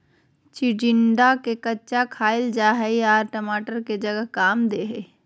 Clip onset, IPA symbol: t͡ʃ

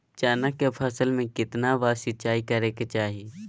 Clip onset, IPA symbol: t͡ʃ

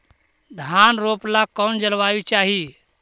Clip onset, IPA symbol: d̪ʱ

